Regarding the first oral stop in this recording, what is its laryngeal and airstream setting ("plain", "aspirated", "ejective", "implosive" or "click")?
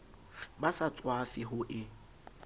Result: plain